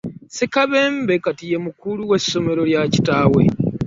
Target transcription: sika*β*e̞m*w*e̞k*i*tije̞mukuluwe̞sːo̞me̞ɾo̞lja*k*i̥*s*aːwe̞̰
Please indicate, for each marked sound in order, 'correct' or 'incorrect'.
correct, incorrect, incorrect, incorrect, incorrect

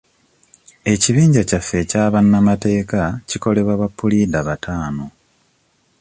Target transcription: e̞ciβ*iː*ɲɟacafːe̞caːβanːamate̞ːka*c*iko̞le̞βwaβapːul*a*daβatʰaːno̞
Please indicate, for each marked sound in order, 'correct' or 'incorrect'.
correct, correct, incorrect

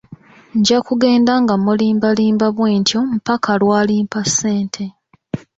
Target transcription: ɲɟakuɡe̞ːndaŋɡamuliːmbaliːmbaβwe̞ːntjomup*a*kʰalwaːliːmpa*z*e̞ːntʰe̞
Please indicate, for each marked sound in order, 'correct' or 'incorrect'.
correct, incorrect

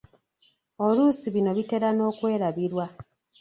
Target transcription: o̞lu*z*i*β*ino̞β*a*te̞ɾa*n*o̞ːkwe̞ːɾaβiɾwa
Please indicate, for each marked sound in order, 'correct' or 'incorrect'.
incorrect, correct, incorrect, correct

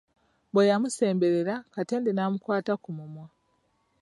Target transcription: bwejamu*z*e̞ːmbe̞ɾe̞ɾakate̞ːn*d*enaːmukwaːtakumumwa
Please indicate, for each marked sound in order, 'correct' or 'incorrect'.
incorrect, correct

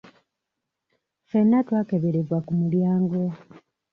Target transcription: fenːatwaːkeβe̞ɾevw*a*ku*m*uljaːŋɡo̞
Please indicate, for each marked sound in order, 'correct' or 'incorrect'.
correct, correct

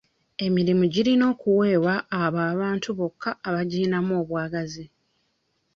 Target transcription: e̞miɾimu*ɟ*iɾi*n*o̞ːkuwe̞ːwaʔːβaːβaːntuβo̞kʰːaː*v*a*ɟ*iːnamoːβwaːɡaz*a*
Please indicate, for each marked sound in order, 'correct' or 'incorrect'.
correct, correct, incorrect, correct, incorrect

